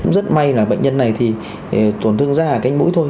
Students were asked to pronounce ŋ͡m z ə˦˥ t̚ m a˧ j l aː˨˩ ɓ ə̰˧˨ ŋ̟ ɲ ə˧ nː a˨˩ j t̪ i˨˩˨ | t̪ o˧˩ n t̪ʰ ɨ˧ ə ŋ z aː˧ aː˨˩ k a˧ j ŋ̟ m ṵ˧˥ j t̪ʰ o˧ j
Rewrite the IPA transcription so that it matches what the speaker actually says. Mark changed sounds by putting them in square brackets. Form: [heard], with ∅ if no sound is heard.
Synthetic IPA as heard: ŋ͡m z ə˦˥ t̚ m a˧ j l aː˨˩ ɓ ə̰˧˨ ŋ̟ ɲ ə˧ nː a˨˩ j [t̪ʰ] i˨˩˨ | t̪ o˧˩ n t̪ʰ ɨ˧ ə ŋ z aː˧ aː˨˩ k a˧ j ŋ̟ m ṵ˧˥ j t̪ʰ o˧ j